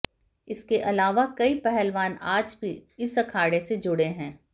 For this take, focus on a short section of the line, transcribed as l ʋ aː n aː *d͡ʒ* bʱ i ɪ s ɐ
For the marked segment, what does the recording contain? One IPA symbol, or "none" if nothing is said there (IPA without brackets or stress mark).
d͡ʒ